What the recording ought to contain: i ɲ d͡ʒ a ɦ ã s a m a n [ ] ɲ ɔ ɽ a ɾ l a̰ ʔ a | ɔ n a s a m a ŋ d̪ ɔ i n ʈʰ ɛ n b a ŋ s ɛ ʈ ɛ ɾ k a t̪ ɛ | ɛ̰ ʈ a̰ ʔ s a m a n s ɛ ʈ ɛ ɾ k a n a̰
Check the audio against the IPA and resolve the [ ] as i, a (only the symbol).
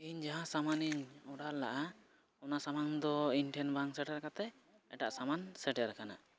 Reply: i